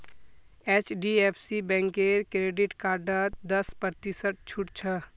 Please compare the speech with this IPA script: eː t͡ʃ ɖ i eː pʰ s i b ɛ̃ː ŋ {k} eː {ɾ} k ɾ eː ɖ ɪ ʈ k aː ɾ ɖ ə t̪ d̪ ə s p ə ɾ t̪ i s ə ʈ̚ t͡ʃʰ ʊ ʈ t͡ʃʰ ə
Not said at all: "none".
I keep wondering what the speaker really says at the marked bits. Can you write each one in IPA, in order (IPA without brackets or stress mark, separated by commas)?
k, ɾ